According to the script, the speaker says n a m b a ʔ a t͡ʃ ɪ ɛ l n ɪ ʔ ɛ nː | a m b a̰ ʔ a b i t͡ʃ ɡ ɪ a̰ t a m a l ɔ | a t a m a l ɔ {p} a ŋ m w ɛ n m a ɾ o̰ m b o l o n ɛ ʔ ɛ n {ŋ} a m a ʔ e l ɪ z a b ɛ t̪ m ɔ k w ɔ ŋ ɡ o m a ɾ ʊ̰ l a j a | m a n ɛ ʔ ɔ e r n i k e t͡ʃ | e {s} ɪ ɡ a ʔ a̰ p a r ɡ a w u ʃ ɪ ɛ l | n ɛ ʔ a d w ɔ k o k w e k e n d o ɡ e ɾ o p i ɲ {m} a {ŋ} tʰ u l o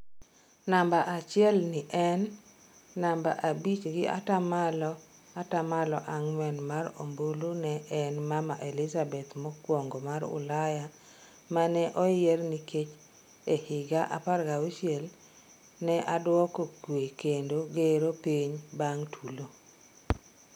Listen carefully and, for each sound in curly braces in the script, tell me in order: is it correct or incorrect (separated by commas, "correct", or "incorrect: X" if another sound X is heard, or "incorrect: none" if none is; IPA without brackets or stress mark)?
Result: incorrect: ʔ, incorrect: m, incorrect: h, incorrect: b, correct